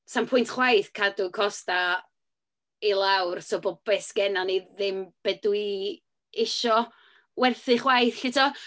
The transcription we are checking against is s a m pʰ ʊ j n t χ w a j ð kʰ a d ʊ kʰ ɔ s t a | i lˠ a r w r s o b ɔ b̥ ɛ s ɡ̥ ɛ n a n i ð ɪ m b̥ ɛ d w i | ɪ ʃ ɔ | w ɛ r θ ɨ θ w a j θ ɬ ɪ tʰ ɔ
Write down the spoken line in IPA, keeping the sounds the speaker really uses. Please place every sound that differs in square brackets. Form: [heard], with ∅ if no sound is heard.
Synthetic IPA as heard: s a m pʰ ʊ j n t χ w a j [θ] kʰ a d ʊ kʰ ɔ s t a | i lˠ a [∅] w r s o b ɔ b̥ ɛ s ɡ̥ ɛ n a n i ð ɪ m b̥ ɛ d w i | ɪ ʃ ɔ | w ɛ r θ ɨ [χ] w a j θ ɬ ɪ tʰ ɔ